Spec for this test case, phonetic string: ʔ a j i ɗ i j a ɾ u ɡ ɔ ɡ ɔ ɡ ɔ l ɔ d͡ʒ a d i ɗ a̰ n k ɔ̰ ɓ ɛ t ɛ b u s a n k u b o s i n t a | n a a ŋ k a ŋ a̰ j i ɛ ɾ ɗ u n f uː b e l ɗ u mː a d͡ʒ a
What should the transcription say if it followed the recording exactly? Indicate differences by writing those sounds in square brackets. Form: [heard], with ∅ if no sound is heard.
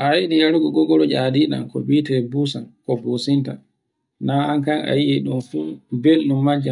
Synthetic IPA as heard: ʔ a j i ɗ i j a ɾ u ɡ ɔ ɡ ɔ ɡ ɔ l ɔ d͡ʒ a d i ɗ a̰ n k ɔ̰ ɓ [i] t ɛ b u s a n k [ɔ] b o s i n t a | n a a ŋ k a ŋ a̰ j i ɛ [∅] ɗ u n f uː b e l ɗ u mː a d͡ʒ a